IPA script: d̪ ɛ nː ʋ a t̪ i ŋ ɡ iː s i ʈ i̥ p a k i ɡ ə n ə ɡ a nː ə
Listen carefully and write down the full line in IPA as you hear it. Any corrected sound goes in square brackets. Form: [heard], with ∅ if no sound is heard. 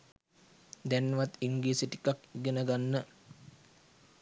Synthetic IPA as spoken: d̪ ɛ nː ʋ a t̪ i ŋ ɡ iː s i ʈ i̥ [k] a k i ɡ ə n ə ɡ a nː ə

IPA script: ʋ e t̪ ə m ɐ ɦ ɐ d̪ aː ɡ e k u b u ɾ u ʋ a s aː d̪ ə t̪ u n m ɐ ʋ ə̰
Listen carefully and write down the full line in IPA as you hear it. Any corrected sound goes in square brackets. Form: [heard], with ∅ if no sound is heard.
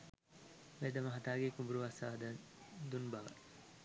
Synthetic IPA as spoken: ʋ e [d̪] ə m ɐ ɦ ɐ [t̪] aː ɡ e k u b u ɾ u ʋ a s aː d̪ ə [d̪] u n [b] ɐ ʋ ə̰

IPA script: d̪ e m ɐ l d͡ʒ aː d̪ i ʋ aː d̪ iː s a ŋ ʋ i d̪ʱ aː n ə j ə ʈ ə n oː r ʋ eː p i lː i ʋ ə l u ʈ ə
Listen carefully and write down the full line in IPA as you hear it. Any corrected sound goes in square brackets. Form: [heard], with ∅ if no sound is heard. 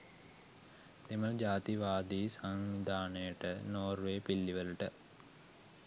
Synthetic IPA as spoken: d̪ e m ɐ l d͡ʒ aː [t̪] i ʋ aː d̪ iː s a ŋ ʋ i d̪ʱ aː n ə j ə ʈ ə n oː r ʋ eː p i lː i ʋ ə l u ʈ ə

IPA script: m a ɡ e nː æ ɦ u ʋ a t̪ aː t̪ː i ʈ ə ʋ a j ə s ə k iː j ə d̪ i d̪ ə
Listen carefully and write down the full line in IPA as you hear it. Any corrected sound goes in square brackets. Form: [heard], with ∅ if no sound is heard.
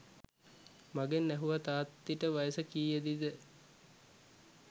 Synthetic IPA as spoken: m a ɡ e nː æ ɦ u ʋ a t̪ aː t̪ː i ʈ ə ʋ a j ə s ə k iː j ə d̪ i d̪ ə

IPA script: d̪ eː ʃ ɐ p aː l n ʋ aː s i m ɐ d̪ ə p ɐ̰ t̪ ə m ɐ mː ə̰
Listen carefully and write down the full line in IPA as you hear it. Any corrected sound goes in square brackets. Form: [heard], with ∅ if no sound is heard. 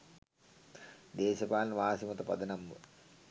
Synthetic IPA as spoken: d̪ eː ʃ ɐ p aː l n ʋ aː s i m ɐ [t̪] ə p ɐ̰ [d̪] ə [n] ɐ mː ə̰

